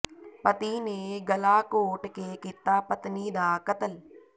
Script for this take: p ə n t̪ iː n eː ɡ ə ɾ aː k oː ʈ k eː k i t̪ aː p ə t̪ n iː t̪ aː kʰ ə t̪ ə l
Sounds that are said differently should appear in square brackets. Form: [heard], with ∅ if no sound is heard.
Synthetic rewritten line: p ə [∅] t̪ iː n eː ɡ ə [l] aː k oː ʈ k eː k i t̪ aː p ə t̪ n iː [d̪] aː [k] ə t̪ ə l